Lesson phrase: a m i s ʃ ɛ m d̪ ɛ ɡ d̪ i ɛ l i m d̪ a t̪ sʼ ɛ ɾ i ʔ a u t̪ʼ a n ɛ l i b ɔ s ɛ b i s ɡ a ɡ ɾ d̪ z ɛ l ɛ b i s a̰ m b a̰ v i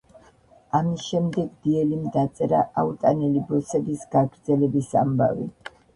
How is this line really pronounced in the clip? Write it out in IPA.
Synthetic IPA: a m i s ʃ ɛ m d̪ ɛ ɡ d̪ i ɛ l i m d̪ a t̪ sʼ ɛ ɾ a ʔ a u t̪ʼ a n ɛ l i b ɔ s ɛ b i s ɡ a ɡ ɾ d̪ z ɛ l ɛ b i s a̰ m b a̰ v i